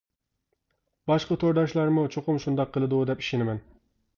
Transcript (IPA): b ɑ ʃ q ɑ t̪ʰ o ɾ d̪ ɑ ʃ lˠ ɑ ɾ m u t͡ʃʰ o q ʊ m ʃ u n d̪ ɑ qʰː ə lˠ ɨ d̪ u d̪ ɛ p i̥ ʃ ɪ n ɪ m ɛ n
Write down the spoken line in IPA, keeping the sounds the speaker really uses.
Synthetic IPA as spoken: b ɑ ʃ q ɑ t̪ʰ o ɾ d̪ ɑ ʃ lˠ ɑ ɾ m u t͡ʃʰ o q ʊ m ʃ u n d̪ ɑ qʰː ə lˠ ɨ d̪ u d̪ ɛ p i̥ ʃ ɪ n ɪ m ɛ n